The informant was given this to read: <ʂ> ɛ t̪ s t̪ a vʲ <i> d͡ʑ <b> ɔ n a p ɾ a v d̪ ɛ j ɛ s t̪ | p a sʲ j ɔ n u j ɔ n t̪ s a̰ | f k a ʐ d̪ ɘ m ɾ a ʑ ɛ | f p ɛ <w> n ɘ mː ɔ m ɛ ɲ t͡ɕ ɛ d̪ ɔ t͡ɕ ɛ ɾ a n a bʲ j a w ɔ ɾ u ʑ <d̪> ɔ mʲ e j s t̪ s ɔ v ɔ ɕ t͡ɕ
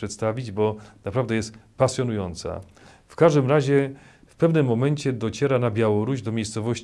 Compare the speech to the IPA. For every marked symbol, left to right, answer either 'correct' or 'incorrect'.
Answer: correct, correct, correct, incorrect: v, correct

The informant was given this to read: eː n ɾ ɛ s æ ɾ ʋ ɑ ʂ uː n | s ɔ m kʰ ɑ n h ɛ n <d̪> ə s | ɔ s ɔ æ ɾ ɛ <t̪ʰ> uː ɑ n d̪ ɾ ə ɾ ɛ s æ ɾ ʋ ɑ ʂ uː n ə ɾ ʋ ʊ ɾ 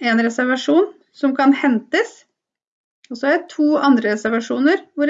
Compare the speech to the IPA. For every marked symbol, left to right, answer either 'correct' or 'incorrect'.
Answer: incorrect: t̪, correct

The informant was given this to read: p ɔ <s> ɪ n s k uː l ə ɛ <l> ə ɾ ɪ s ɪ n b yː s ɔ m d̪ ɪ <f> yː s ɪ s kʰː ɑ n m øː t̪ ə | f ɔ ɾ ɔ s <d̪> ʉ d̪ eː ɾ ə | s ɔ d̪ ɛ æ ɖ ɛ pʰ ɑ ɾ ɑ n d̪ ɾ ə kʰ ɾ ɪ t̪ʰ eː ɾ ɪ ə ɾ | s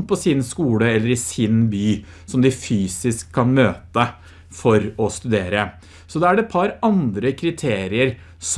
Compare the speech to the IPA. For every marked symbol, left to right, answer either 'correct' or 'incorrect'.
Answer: correct, incorrect: lː, correct, incorrect: t̪

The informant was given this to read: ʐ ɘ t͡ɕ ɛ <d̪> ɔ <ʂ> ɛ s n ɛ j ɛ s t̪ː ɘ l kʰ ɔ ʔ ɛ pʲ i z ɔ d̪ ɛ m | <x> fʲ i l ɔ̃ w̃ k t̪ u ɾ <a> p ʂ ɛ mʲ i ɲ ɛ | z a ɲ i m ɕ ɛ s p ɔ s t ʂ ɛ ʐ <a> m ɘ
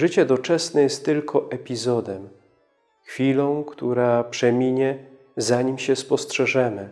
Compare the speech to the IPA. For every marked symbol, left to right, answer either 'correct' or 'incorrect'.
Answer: correct, incorrect: t͡ʂ, correct, correct, incorrect: ɛ

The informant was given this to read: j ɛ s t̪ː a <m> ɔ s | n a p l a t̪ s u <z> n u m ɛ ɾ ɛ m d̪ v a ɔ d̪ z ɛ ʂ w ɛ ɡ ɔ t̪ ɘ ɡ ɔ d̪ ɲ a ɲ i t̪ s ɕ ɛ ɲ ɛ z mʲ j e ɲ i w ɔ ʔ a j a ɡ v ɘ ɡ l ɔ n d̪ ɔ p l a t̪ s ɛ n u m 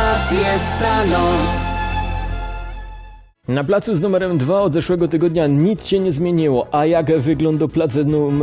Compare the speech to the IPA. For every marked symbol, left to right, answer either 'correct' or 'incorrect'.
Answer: incorrect: n, correct

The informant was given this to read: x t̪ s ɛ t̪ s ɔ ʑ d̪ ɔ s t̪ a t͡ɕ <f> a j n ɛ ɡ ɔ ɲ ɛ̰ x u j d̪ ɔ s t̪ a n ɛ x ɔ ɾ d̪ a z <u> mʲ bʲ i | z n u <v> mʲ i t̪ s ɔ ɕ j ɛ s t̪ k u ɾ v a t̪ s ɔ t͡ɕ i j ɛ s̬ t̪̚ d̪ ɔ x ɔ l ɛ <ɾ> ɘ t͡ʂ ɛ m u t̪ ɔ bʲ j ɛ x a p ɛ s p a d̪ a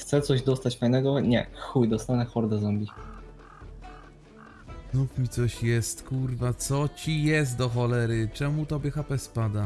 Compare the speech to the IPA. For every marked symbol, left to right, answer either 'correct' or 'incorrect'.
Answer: correct, incorrect: ɔ, incorrect: f, correct

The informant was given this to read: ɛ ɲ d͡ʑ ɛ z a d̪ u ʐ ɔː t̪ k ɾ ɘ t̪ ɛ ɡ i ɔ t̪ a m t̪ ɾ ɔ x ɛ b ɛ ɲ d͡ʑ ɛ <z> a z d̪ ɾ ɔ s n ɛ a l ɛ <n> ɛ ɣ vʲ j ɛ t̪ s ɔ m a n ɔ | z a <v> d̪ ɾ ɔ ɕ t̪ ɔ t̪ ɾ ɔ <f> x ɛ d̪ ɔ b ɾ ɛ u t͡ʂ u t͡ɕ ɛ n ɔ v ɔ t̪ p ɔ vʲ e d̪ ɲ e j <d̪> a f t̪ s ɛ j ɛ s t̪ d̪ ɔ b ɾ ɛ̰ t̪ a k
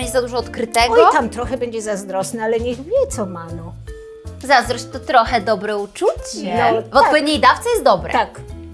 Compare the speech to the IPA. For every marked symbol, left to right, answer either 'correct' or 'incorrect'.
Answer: correct, incorrect: ɲ, incorrect: z, incorrect: none, correct

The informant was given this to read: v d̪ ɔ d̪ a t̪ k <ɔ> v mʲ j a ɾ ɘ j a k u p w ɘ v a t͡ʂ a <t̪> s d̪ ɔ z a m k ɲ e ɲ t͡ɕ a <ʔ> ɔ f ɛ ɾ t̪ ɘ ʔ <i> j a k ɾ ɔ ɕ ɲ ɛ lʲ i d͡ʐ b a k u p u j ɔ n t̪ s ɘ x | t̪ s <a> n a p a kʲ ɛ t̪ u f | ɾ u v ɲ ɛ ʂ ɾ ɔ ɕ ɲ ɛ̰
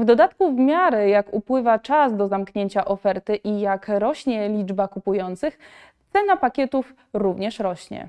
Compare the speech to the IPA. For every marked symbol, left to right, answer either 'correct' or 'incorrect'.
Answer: incorrect: u, incorrect: none, correct, correct, incorrect: ɛ

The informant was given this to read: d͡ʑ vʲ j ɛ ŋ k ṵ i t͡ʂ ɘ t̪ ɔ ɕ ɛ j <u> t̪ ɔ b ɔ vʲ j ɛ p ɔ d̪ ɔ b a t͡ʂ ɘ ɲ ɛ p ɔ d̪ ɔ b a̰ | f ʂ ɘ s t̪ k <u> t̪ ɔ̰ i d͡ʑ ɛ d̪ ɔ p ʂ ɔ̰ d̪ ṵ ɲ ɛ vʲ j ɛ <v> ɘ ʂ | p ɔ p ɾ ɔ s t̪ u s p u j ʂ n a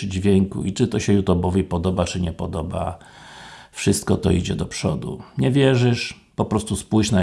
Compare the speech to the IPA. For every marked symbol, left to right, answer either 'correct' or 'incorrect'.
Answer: correct, incorrect: ɔ, incorrect: ʐ

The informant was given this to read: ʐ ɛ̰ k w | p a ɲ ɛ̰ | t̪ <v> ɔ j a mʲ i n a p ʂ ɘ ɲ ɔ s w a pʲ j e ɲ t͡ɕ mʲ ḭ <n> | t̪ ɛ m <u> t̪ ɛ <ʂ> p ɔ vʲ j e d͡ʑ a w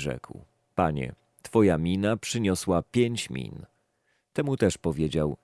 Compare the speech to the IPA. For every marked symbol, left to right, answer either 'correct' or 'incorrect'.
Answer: incorrect: f, correct, correct, correct

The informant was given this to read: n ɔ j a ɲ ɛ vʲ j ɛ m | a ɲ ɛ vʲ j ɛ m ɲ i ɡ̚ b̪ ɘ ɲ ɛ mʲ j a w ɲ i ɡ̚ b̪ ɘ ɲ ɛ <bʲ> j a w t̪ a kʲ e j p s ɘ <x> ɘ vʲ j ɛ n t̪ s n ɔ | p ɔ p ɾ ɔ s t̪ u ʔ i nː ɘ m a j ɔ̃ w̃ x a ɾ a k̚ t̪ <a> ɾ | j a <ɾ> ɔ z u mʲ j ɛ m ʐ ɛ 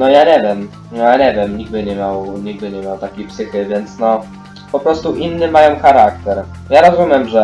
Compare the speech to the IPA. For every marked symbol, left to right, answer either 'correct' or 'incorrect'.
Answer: incorrect: mʲ, correct, incorrect: ɛ, correct

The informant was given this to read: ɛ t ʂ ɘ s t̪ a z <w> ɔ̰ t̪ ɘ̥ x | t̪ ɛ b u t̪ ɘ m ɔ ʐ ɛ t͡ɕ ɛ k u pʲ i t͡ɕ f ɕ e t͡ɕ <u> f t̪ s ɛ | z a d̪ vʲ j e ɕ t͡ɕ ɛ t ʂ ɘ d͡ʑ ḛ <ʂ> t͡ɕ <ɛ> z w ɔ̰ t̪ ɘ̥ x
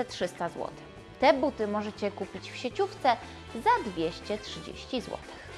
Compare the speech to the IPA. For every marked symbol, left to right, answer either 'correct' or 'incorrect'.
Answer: correct, correct, incorrect: ɕ, incorrect: i

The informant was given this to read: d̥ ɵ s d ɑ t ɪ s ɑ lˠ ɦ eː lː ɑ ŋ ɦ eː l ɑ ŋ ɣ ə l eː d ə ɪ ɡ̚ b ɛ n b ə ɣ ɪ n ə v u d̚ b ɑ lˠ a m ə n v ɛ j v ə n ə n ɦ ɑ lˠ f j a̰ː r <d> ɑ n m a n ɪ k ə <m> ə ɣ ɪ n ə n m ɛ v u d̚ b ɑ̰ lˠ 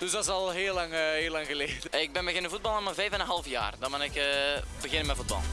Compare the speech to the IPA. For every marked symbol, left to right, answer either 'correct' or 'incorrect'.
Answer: correct, incorrect: b

